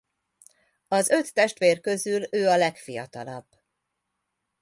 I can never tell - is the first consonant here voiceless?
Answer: no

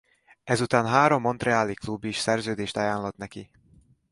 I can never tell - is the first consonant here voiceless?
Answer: no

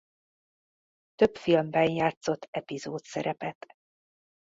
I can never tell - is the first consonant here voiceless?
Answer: yes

